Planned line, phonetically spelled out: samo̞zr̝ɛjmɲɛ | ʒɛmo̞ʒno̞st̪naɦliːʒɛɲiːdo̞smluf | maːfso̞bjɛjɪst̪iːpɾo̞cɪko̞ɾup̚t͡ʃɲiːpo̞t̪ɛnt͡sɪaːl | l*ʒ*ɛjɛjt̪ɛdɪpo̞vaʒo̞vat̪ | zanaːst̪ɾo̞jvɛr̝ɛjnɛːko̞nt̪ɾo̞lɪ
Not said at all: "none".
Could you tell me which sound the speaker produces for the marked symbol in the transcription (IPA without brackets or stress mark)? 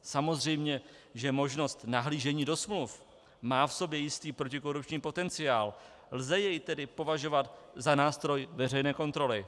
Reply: z